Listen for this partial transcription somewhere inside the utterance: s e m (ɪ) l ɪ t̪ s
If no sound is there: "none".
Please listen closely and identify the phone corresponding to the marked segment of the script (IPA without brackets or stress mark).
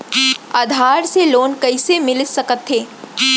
ɪ